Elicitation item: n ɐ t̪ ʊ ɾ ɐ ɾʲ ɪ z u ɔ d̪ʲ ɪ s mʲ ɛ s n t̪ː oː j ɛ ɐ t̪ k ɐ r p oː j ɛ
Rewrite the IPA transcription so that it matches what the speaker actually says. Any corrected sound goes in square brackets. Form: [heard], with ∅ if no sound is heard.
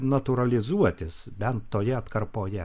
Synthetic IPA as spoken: n ɐ t̪ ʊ ɾ ɐ [lʲ] ɪ z u ɔ [t̪ʲ] ɪ s [bʲ] ɛ [∅] n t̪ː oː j ɛ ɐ t̪ k ɐ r p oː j ɛ

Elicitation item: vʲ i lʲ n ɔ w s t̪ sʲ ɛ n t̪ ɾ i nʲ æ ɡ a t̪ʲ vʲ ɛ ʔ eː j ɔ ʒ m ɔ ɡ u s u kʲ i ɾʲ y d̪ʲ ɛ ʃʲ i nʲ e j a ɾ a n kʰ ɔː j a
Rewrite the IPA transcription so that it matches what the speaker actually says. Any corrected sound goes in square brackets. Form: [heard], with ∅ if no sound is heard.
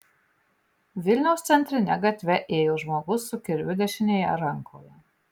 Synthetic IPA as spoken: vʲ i lʲ n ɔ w s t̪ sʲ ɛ n t̪ ɾ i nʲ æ ɡ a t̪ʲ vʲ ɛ ʔ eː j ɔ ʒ m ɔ ɡ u s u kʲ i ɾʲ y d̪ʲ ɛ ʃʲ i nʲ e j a ɾ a [ŋ] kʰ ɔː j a

